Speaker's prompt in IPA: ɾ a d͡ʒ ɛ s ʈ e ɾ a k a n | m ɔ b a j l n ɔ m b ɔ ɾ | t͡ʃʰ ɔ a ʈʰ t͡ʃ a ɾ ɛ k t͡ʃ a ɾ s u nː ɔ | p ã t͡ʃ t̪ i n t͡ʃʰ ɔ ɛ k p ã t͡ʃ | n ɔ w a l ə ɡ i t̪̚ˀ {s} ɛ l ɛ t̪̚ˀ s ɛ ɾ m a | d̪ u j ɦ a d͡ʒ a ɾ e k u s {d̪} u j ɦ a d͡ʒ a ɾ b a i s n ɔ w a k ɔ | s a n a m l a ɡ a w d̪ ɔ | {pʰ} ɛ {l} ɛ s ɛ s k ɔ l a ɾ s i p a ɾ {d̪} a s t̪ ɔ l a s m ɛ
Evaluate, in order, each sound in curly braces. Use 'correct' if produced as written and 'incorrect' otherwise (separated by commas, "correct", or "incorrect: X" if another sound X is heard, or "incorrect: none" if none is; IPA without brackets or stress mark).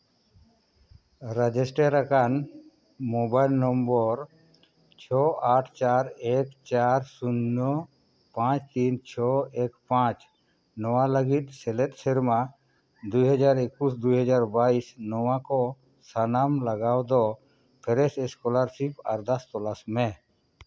correct, correct, correct, incorrect: ɾ, correct